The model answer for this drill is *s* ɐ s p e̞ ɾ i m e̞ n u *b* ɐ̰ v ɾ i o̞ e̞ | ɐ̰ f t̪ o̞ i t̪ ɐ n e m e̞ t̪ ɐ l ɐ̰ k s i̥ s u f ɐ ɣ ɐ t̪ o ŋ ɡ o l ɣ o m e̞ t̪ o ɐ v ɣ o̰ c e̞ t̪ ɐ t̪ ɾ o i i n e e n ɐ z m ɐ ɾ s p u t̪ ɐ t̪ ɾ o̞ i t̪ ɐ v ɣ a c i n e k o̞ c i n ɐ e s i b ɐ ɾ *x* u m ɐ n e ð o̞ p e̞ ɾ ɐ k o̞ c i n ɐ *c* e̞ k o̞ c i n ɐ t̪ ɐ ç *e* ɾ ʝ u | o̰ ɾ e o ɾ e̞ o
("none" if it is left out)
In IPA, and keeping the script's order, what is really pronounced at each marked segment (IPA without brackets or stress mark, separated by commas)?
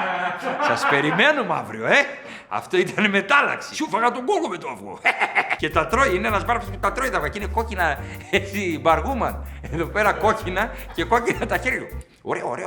s, m, ɣ, c, e